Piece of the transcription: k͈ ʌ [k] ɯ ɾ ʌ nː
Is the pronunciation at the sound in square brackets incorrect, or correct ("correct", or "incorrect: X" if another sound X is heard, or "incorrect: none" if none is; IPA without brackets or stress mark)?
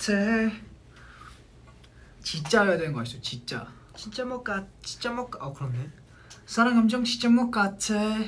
correct